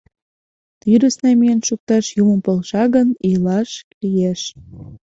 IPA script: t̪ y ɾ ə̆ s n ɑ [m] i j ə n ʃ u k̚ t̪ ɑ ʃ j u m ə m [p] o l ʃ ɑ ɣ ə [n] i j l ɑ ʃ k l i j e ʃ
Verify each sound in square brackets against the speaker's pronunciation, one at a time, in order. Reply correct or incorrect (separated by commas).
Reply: correct, correct, correct